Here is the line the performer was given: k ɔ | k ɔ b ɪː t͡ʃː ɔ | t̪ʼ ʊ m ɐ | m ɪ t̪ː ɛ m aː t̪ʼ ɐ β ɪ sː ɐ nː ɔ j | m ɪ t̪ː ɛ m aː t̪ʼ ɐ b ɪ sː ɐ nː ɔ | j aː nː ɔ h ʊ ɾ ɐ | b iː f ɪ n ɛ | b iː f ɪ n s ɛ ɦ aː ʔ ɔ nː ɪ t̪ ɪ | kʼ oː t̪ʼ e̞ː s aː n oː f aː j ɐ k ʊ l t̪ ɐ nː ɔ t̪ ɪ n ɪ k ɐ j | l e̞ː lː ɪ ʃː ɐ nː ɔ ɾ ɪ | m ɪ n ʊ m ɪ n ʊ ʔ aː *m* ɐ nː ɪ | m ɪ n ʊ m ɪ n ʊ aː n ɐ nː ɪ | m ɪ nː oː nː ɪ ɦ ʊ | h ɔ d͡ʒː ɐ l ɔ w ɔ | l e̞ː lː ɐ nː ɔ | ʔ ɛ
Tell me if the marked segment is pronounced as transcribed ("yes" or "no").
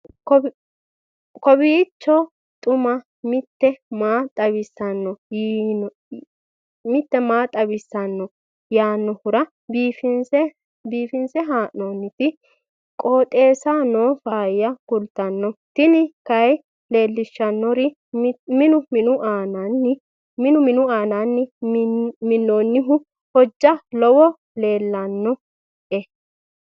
no